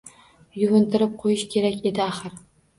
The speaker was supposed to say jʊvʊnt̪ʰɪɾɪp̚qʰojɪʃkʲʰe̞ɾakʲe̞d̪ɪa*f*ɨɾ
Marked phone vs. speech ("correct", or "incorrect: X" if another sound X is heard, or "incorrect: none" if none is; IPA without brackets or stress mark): incorrect: χ